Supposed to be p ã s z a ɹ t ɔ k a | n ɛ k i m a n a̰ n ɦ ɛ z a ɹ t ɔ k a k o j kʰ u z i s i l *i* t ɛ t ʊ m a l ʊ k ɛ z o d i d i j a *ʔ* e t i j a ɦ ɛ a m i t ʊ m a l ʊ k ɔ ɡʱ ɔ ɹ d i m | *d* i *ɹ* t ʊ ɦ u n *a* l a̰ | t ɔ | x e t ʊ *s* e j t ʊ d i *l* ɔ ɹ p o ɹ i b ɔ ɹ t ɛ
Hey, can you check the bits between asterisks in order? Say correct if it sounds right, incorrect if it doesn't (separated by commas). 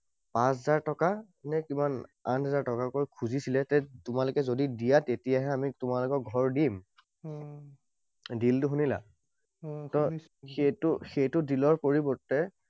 incorrect, incorrect, correct, incorrect, incorrect, incorrect, correct